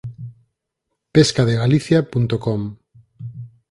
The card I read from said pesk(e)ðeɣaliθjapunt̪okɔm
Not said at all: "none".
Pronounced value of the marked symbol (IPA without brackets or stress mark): a